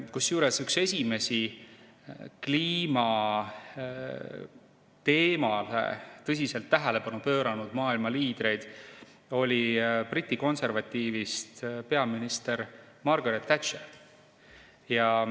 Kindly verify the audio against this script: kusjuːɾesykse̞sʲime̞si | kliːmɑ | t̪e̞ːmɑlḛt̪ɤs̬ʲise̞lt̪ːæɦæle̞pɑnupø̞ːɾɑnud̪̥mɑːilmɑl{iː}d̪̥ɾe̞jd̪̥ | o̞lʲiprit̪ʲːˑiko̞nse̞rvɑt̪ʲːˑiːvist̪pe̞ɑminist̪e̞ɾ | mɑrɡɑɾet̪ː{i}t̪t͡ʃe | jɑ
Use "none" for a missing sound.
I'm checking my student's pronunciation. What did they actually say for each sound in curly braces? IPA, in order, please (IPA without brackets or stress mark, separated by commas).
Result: iː, æ